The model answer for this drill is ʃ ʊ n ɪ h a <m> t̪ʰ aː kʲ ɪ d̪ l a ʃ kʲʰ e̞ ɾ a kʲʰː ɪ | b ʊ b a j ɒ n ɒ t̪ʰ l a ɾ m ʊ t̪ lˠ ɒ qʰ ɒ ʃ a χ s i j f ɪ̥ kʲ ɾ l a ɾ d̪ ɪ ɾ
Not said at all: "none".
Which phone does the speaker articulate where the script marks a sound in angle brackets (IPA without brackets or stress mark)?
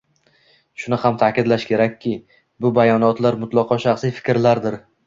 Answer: m